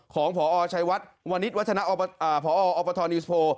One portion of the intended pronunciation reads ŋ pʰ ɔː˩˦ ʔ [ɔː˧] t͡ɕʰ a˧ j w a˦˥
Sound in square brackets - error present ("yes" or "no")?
no